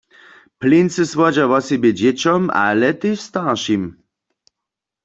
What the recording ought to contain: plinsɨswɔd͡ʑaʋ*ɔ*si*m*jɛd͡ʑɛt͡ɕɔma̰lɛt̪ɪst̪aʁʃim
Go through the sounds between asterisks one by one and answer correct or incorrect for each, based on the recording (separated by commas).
correct, incorrect